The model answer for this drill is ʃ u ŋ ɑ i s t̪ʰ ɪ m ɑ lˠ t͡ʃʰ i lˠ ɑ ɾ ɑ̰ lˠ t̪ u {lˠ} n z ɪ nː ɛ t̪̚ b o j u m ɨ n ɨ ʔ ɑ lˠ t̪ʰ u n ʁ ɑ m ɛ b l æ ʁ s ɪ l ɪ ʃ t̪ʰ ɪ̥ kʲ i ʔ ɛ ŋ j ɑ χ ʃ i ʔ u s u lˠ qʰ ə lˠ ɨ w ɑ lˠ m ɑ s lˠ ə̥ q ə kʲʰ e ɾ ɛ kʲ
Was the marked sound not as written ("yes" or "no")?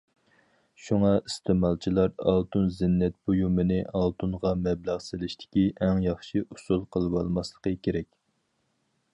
yes